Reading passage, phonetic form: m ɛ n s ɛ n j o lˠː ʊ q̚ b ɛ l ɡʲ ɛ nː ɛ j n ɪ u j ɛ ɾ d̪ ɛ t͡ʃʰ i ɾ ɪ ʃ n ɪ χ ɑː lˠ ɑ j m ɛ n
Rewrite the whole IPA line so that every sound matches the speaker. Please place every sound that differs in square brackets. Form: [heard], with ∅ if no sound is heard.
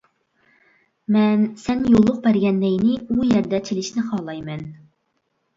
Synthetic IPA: m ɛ n s ɛ n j o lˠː ʊ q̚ b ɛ [ɾ] ɡʲ ɛ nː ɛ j n ɪ u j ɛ ɾ d̪ ɛ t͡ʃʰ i [l] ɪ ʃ n ɪ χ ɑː lˠ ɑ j m ɛ n